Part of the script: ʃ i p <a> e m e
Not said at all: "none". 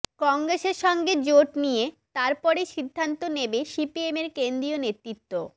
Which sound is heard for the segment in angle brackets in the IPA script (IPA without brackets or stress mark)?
i